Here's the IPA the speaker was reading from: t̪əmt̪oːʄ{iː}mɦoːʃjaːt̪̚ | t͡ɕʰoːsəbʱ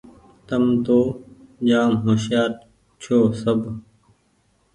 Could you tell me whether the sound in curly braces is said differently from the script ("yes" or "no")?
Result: yes